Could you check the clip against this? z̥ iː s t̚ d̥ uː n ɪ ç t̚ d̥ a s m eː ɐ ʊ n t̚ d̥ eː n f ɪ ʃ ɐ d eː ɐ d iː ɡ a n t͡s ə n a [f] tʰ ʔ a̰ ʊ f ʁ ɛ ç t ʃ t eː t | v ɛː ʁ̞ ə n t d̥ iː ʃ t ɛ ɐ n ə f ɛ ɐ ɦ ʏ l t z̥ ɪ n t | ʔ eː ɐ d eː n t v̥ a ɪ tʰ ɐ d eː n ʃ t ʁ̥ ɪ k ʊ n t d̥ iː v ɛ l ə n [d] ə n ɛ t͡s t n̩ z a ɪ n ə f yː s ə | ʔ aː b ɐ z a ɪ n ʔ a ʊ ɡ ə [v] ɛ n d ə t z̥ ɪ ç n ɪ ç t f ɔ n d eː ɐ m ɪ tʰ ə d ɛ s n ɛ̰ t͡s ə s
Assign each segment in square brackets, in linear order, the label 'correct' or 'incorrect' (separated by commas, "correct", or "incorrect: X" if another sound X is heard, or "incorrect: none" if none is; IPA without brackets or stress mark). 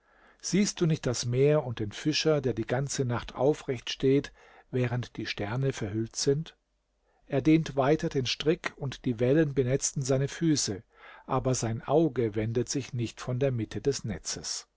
incorrect: χ, incorrect: b, correct